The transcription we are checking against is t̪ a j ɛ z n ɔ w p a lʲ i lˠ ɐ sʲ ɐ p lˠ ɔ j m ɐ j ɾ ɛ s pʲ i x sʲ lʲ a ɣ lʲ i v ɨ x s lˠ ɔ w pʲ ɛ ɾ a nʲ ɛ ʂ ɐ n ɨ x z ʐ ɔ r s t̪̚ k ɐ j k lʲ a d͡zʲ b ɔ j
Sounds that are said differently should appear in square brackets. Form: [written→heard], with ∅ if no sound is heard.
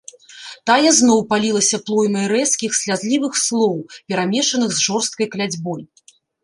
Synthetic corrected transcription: t̪ a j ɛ z n ɔ w p a lʲ i lˠ ɐ sʲ ɐ p lˠ ɔ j m ɐ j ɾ ɛ s [pʲ→kʲ] i x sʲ lʲ a [ɣ→z] lʲ i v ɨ x s lˠ ɔ w pʲ ɛ ɾ a [nʲ→mʲ] ɛ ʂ ɐ n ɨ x z ʐ ɔ r s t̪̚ k ɐ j k lʲ a d͡zʲ b ɔ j